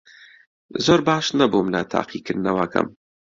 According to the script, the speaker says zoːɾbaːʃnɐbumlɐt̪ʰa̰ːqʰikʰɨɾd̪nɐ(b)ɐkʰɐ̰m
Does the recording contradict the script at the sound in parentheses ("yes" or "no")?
yes